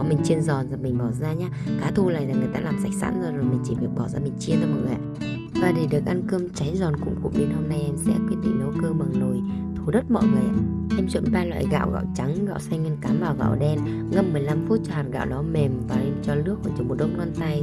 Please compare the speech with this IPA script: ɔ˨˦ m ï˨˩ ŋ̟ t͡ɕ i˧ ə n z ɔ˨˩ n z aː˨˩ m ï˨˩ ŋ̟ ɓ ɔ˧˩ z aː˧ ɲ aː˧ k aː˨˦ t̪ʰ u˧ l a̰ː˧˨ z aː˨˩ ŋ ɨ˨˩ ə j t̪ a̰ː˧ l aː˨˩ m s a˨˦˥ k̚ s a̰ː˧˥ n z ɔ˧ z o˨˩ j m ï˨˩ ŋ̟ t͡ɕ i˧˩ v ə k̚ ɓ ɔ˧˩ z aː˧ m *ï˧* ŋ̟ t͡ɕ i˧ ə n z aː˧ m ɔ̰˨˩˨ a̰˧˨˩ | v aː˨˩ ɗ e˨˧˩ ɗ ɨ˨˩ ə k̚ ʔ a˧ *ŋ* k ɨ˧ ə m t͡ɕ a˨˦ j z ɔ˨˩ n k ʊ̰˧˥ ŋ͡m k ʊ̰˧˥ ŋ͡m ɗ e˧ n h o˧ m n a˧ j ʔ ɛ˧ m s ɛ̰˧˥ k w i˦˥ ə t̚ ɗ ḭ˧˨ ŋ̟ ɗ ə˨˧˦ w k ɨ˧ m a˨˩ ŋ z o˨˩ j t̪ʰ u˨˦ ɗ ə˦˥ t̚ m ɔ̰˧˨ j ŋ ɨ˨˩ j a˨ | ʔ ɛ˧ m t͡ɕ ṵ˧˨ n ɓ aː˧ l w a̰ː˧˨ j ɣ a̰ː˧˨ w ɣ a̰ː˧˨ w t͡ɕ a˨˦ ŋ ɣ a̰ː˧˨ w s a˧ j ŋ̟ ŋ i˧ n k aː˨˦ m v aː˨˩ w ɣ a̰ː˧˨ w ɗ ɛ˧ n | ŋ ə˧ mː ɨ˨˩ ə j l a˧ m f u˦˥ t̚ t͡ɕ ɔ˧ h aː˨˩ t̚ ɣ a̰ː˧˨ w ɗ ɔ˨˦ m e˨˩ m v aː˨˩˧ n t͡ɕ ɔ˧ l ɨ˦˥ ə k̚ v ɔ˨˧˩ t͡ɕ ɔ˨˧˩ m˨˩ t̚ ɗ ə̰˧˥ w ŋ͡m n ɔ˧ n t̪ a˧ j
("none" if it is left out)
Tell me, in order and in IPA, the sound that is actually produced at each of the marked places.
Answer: ï˨˩, n

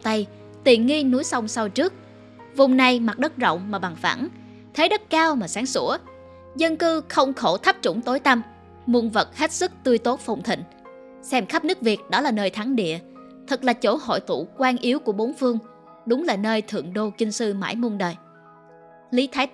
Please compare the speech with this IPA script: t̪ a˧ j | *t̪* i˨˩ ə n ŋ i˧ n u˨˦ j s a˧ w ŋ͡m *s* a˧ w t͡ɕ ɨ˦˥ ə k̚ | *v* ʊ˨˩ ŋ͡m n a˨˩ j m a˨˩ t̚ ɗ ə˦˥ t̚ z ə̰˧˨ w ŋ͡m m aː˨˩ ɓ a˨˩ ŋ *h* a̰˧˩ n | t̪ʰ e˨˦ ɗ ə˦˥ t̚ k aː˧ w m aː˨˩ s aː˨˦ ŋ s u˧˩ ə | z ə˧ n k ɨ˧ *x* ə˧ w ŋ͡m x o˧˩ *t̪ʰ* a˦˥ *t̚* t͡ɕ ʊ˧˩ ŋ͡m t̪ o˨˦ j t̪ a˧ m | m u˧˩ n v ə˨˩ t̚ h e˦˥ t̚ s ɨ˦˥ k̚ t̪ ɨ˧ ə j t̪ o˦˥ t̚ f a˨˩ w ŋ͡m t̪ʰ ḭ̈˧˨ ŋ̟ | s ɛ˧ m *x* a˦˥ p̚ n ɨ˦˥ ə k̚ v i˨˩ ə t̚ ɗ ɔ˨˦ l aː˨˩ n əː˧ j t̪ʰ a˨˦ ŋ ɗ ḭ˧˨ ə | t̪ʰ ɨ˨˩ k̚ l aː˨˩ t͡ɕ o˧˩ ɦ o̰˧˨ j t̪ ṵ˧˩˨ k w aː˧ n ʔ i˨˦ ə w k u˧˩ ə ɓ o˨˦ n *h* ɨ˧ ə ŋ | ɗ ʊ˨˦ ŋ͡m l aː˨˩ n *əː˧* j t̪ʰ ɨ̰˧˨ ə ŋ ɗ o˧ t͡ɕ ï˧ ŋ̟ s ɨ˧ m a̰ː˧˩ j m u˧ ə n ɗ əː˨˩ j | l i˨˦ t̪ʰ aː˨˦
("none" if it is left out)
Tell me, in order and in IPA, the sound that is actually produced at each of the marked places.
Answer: t̪, s, v, f, x, t̪ʰ, p̚, x, f, əː˧

